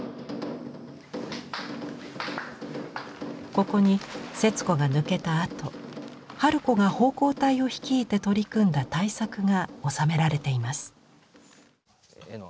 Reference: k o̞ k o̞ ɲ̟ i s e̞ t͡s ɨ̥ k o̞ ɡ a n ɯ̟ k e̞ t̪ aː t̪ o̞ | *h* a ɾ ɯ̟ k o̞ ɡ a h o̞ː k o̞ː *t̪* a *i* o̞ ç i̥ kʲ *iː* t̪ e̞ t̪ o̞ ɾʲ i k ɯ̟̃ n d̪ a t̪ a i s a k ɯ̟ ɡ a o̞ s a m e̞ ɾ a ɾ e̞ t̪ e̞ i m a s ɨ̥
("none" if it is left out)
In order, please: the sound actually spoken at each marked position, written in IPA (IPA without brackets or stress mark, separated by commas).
h, t̪, i, iː